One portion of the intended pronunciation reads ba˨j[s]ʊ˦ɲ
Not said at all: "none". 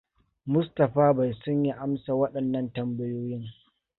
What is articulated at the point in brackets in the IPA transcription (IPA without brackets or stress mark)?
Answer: s